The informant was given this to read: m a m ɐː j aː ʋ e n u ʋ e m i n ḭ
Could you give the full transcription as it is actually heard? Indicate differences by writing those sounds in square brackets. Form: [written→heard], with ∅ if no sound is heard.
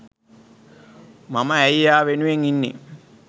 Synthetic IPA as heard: m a m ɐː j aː ʋ e n u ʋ e [m→ŋ] i [n→nː] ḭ